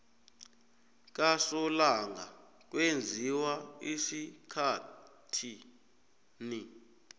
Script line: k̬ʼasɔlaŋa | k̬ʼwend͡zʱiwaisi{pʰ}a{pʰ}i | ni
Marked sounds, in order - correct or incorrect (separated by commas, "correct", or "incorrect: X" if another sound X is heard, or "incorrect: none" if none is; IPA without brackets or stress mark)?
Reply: incorrect: kʰ, incorrect: tʰ